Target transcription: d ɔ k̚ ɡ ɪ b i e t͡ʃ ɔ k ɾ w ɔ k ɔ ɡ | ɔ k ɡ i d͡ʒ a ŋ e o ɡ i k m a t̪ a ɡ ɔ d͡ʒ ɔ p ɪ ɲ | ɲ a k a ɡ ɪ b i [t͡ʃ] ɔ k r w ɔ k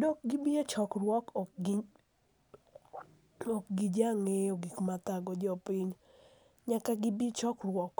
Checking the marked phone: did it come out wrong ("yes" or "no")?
no